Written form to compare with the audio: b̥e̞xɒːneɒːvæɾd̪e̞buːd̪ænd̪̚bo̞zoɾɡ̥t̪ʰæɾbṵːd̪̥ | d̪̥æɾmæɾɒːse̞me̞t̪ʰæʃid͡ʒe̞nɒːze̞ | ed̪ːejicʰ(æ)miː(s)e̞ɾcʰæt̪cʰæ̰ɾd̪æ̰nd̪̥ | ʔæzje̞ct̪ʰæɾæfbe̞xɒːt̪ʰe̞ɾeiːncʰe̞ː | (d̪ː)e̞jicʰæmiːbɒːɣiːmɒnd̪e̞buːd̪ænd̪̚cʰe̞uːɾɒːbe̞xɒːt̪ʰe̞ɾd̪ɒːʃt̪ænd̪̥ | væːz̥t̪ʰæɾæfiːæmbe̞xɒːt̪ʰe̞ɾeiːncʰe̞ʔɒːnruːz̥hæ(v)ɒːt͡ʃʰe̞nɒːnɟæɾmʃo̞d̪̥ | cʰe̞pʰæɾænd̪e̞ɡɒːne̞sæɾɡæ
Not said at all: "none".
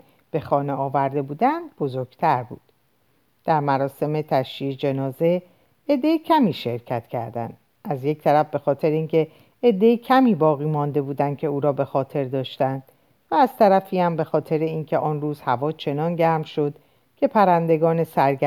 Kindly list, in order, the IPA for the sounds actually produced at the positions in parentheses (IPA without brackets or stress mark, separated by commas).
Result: æ, ʃ, d̪ː, v